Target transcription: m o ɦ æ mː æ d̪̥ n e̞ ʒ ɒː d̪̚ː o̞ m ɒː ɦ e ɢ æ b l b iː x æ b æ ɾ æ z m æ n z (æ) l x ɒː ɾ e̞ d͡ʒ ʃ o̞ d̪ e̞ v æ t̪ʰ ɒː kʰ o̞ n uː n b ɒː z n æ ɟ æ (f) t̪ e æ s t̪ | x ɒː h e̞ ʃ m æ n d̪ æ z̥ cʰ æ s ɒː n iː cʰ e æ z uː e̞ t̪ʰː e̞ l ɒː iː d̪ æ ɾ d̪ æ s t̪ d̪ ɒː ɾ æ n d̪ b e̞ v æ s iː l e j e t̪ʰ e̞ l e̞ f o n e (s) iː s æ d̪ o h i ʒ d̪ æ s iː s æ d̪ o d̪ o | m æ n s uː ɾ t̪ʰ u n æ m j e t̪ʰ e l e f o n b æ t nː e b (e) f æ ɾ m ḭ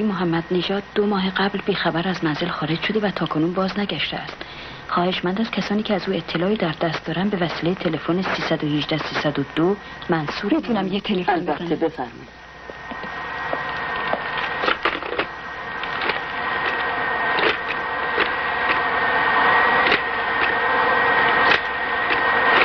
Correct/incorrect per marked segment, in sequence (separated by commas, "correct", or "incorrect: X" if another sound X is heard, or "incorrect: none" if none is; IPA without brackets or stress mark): incorrect: e, incorrect: ʃ, correct, correct